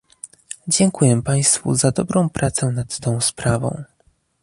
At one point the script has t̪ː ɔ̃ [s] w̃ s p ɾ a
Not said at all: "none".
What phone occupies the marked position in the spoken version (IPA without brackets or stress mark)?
none